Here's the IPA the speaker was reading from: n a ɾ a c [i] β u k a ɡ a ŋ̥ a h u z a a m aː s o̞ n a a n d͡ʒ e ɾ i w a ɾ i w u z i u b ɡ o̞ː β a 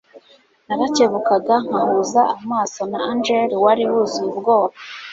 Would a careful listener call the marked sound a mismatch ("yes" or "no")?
yes